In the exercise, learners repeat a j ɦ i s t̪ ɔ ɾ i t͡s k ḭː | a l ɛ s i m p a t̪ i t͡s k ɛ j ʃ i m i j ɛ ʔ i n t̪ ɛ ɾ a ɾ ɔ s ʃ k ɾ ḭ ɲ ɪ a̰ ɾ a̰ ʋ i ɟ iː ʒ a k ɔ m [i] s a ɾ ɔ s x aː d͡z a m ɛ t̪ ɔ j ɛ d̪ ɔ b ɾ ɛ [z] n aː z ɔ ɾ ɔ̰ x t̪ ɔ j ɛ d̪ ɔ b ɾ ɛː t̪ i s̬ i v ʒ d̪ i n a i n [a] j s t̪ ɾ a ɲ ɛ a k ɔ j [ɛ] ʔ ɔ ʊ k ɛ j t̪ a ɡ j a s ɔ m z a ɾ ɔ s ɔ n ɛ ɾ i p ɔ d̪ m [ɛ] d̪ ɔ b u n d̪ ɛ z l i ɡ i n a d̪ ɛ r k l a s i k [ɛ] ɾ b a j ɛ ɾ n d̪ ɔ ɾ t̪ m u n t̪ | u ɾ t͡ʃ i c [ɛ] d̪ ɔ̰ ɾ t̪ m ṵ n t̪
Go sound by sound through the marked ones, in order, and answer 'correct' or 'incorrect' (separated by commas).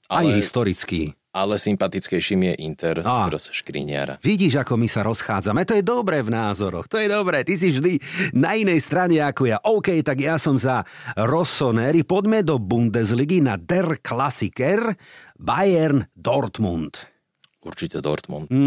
correct, incorrect, incorrect, incorrect, correct, correct, correct